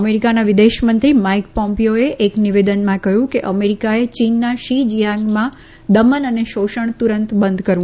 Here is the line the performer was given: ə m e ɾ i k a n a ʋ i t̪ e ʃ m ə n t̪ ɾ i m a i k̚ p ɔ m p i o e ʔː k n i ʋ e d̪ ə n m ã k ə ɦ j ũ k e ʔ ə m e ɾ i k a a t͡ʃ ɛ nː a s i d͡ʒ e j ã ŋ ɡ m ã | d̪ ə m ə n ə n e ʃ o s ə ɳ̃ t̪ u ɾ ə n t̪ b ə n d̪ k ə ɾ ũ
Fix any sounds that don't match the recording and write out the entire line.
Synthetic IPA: ə m e ɾ i k a n a ʋ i d̪ e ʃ m ə n t̪ ɾ i m a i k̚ p ɔ m p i o e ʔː k n i ʋ e d̪ ə n m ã k ə ɦ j ũ k e ʔ ə m e ɾ i k a e t͡ʃ i nː a ʃ i d͡ʒ i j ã ŋ ɡ m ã | d̪ ə m ə n ə n e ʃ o ʃ ə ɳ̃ t̪ u ɾ ə n t̪ b ə n d̪ k ə ɾ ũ